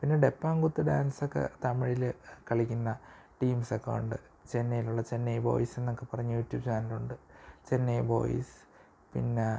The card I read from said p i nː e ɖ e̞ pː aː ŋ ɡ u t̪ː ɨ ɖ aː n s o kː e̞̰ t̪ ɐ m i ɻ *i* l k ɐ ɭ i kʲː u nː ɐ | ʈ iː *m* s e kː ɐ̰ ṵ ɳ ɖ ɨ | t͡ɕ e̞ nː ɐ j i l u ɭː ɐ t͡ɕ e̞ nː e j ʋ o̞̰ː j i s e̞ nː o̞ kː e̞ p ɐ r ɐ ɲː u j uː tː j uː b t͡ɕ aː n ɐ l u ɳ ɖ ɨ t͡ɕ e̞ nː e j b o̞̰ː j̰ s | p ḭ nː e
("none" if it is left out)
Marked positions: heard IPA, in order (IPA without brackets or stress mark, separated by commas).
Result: i, m